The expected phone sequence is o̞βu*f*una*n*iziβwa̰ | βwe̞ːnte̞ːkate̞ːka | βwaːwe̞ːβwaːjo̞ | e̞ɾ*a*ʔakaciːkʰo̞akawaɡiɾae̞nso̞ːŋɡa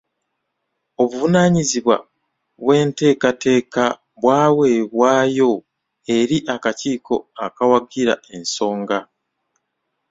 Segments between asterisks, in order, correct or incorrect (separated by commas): incorrect, incorrect, incorrect